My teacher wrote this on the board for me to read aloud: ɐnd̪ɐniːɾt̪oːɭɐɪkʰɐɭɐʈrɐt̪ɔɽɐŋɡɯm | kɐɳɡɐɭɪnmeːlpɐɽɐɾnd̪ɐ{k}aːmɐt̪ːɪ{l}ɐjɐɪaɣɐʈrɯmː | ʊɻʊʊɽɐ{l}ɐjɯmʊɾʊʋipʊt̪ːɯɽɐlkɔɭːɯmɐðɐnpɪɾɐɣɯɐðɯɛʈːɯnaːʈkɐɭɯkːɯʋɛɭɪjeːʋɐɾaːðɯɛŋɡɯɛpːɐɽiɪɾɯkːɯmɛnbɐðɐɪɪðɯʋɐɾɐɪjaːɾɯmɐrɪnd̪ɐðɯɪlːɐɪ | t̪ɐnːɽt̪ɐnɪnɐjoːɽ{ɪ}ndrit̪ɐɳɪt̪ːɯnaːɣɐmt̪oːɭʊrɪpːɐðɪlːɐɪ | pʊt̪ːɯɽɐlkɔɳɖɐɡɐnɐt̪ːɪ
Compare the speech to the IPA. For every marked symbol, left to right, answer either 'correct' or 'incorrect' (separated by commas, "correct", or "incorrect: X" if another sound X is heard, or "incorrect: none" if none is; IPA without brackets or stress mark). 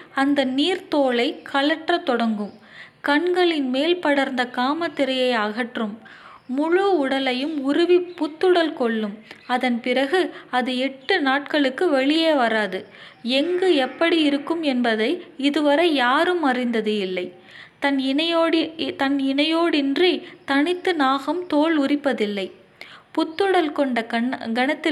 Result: correct, incorrect: ɾ, correct, correct